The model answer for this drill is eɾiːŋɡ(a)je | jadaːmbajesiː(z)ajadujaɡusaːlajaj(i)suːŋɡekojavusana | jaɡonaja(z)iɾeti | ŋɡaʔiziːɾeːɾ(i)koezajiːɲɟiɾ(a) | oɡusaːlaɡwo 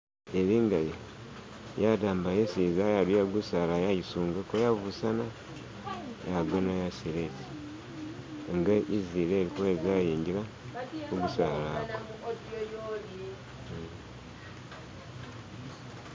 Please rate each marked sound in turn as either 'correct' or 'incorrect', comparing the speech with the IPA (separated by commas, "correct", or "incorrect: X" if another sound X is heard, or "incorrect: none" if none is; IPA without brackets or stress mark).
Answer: correct, correct, correct, incorrect: s, correct, correct